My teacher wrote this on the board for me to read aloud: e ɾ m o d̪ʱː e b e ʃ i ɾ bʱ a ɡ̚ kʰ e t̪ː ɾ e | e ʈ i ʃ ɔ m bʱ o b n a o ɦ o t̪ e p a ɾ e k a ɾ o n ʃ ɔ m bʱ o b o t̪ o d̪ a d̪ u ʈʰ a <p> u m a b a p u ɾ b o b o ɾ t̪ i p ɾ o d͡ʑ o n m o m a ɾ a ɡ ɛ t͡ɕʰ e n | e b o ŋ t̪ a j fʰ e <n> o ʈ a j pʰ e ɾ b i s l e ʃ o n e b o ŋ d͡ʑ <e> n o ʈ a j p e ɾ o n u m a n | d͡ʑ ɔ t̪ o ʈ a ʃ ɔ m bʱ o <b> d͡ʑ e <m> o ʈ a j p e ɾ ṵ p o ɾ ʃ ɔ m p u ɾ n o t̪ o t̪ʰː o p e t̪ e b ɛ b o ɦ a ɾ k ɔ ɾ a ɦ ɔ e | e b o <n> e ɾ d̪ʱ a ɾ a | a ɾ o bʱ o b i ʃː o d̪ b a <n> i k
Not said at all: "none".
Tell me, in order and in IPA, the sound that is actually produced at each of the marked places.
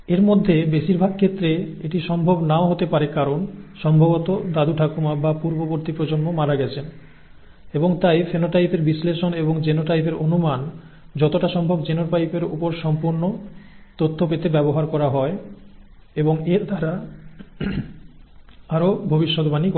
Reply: k, n, e, b, n, ŋ, n

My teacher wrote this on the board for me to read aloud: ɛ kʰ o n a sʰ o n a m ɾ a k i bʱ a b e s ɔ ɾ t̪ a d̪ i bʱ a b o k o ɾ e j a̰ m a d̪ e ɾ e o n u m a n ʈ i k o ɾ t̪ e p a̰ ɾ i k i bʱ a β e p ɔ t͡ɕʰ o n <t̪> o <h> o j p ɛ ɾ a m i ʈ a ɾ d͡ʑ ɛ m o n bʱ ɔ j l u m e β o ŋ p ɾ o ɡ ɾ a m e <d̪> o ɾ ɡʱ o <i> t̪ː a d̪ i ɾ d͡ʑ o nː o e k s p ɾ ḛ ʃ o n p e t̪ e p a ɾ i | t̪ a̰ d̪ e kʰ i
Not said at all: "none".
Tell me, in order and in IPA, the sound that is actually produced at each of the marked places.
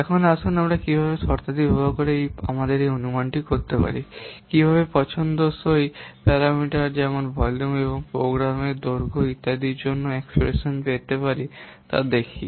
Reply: d̪, s, d̪, i

